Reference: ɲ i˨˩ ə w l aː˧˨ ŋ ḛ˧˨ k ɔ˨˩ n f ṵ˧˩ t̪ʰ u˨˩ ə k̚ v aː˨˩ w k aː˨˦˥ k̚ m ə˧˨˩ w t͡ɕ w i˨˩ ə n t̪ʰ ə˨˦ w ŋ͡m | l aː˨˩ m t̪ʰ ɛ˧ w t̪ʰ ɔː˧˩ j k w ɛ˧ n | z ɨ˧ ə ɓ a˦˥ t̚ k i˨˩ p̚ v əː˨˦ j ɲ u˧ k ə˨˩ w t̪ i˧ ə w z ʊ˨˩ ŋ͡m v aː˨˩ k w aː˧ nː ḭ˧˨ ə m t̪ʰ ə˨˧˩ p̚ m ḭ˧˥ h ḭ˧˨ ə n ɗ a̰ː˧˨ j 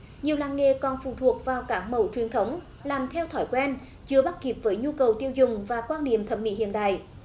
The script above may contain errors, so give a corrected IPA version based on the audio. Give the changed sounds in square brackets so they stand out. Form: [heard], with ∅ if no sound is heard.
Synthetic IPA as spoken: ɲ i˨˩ ə w l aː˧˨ ŋ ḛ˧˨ k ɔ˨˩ n f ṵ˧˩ t̪ʰ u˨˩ ə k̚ v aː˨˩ w k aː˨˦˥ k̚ m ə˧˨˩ w t͡ɕ w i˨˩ ə n t̪ʰ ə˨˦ w ŋ͡m | l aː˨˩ m t̪ʰ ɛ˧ w t̪ʰ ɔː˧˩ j k w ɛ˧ n | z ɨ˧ ə ɓ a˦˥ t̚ k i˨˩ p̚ v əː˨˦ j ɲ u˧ k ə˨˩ w t̪ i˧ ə w z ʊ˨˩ ŋ͡m v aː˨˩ k w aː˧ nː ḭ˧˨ ə m t̪ʰ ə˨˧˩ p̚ m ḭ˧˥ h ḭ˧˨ ə n ɗ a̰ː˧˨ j